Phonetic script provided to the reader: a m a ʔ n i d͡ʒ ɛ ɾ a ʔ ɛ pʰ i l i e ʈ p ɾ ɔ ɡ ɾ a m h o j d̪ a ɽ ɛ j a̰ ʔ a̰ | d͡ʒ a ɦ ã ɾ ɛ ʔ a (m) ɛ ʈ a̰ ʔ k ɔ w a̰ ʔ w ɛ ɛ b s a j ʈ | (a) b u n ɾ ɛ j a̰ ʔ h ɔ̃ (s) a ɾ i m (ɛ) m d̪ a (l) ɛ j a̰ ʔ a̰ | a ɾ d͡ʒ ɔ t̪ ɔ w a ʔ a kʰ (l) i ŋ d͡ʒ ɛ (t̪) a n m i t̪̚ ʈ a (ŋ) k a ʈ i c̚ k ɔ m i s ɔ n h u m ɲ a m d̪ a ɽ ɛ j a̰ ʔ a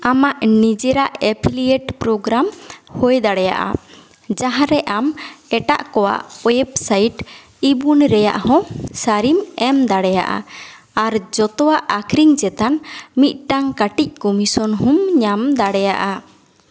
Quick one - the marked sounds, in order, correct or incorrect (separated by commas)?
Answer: correct, incorrect, correct, correct, incorrect, incorrect, correct, correct